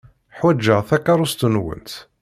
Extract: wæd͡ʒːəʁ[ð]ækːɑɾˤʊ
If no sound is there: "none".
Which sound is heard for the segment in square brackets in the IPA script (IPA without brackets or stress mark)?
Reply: θ